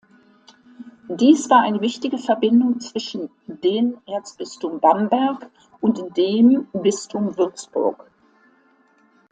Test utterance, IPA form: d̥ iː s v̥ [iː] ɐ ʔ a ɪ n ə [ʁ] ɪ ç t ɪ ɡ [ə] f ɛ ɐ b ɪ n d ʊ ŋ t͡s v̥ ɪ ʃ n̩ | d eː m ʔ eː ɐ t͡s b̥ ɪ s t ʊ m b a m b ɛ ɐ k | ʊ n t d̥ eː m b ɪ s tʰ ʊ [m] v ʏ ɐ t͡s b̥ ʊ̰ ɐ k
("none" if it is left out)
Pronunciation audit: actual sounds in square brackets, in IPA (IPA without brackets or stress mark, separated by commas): aː, v, ə, m